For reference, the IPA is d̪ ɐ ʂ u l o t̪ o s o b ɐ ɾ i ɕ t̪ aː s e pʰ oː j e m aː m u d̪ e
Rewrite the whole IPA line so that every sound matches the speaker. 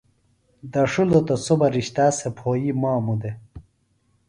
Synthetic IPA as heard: d̪ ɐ ʂ u l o t̪ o s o b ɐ ɾ i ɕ t̪ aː s e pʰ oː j i m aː m u d̪ e